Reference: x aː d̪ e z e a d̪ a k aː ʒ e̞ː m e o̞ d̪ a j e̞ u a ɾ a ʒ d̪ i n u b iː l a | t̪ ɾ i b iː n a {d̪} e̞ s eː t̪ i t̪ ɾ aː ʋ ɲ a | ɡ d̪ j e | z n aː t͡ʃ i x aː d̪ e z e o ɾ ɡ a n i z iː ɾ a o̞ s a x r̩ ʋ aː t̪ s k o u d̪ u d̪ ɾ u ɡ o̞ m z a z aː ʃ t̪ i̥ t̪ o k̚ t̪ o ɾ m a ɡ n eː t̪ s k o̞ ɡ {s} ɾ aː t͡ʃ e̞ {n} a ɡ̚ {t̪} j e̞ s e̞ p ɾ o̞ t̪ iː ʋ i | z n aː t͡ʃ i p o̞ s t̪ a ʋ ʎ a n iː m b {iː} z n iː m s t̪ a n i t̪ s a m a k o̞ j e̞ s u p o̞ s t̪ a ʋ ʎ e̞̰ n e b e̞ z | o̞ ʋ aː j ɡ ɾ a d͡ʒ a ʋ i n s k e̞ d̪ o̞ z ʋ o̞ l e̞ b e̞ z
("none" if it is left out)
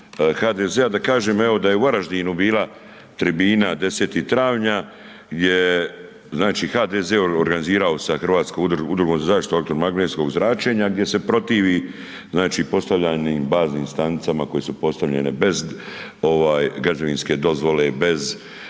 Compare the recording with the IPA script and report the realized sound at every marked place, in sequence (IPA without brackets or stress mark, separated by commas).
d̪, z, ɲ, d̪, aː